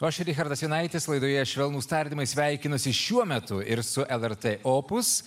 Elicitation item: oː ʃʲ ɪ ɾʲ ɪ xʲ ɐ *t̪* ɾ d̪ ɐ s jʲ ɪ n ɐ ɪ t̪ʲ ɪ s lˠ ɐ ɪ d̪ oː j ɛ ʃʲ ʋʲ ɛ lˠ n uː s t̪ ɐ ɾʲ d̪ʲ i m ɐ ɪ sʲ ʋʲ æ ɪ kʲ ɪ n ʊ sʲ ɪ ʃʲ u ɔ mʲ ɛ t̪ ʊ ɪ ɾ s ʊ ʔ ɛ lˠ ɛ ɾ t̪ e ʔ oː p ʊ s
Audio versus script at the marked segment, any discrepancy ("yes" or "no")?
yes